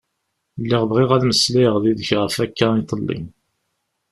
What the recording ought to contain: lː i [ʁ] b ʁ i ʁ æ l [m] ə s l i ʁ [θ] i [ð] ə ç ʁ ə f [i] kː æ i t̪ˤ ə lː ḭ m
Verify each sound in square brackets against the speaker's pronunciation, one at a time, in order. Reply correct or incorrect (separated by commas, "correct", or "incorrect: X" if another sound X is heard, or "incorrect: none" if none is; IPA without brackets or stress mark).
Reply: correct, correct, incorrect: ð, correct, incorrect: æ